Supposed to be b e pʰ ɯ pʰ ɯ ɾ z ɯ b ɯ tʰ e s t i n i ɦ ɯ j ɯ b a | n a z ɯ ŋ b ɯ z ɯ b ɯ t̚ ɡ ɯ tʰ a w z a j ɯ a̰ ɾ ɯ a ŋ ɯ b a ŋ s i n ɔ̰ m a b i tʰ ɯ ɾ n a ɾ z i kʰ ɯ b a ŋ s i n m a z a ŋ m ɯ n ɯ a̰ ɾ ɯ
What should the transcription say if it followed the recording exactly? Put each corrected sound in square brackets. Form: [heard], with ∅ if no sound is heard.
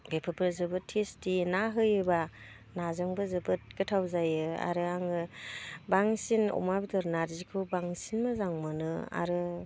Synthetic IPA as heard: b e pʰ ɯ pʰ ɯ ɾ z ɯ b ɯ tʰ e s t i n [a] ɦ ɯ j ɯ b a | n a z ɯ ŋ b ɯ z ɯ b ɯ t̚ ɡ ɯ tʰ a w z a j ɯ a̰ ɾ ɯ a ŋ ɯ b a ŋ s i n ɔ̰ m a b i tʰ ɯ ɾ n a ɾ z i kʰ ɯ b a ŋ s i n m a z a ŋ m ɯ n ɯ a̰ ɾ ɯ